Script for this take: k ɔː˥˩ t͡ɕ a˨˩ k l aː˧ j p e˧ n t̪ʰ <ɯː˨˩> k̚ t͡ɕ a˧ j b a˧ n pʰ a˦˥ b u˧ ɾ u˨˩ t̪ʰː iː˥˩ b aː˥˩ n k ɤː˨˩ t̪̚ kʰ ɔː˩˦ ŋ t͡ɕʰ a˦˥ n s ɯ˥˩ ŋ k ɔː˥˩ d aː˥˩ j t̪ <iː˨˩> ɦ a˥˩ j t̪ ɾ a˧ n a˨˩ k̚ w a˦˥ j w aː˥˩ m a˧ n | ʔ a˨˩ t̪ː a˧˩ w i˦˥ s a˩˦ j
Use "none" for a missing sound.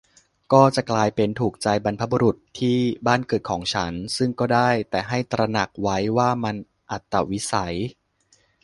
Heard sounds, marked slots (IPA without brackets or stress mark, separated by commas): uː˨˩, ɛː˨˩